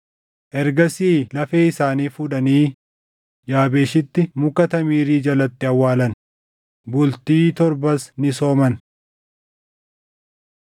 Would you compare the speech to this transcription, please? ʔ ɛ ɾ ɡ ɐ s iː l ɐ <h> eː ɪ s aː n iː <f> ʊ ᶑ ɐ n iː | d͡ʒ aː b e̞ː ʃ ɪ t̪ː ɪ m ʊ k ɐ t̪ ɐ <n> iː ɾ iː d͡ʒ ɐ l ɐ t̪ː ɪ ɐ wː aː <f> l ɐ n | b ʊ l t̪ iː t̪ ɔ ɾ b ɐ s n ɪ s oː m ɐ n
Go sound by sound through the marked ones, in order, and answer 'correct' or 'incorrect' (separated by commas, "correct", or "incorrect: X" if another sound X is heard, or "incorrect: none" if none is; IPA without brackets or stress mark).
incorrect: f, correct, incorrect: m, incorrect: none